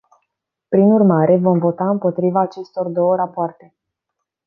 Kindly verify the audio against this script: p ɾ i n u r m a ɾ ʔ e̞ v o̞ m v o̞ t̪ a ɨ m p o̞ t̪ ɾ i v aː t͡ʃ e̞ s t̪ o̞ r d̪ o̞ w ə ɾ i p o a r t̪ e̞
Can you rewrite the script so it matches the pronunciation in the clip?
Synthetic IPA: p ɾ i n u r m a ɾ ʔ e̞ v o̞ m v o̞ t̪ a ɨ m p o̞ t̪ ɾ i v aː t͡ʃ e̞ s t̪ o̞ r d̪ o̞ w ə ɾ a p o a r t̪ e̞